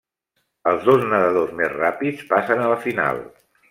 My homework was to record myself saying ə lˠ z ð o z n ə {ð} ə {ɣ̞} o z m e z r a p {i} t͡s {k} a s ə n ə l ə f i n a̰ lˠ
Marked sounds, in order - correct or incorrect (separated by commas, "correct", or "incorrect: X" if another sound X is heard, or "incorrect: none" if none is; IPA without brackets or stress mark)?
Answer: correct, incorrect: ð̞, correct, incorrect: p